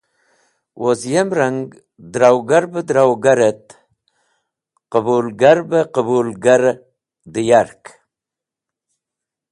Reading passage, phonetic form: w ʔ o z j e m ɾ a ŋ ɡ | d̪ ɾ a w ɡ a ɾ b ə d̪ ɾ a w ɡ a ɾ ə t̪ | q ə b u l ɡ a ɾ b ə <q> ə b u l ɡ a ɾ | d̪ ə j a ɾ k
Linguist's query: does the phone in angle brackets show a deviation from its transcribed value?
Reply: no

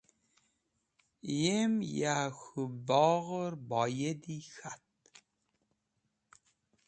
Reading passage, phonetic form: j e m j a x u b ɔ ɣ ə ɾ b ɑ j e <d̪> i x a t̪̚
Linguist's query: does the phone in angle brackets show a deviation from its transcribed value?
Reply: no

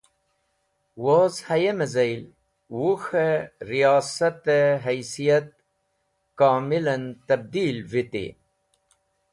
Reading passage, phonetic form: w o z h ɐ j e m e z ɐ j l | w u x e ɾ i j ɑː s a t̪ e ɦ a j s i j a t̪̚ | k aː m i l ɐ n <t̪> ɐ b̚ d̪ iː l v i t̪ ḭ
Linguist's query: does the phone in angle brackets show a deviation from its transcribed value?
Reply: no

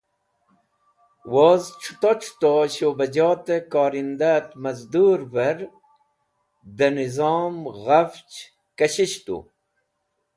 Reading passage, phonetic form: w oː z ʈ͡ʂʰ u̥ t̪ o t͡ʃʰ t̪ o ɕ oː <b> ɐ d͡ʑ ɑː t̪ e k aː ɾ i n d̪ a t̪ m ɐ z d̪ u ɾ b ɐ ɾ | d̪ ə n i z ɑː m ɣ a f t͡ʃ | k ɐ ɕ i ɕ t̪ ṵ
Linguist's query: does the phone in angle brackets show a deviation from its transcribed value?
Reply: no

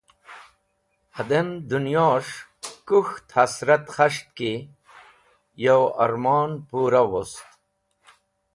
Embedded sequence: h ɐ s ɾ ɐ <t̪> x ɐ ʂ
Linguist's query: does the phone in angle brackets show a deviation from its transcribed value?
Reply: no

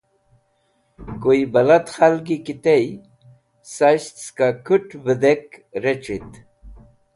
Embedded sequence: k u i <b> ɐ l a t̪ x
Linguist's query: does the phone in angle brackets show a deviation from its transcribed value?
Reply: no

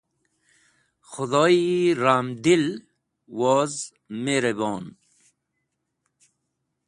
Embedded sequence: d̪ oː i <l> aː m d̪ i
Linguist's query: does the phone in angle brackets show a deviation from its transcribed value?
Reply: yes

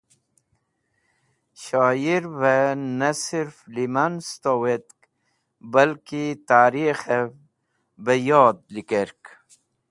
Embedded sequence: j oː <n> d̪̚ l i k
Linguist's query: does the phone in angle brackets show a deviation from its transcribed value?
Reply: yes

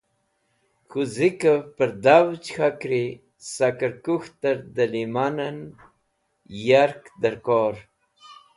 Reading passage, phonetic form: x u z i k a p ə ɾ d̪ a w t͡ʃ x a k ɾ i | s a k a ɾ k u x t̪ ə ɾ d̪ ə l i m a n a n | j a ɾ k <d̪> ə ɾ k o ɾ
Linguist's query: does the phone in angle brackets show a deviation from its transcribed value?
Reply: no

